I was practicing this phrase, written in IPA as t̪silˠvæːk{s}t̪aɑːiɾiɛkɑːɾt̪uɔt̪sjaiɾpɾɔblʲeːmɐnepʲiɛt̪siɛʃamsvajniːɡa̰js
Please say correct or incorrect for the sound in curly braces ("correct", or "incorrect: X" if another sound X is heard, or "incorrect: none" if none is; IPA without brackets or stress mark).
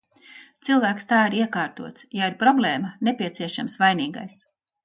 correct